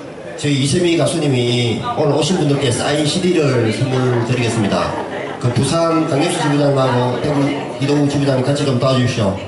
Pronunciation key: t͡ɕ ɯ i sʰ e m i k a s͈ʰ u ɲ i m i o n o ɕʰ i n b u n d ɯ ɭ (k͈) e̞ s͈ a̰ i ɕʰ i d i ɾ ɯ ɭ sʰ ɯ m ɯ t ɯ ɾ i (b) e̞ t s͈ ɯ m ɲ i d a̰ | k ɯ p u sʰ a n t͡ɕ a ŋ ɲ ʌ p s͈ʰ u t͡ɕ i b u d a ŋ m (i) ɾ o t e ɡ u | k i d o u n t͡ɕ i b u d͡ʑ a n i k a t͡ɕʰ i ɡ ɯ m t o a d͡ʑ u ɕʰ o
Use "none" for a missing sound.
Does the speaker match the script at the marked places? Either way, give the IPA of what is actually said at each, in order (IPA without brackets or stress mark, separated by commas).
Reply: k͈, ɡ, a